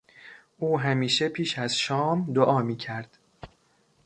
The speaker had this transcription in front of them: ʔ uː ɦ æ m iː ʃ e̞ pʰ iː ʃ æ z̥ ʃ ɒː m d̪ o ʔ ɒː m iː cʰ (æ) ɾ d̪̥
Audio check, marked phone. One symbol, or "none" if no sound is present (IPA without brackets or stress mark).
æ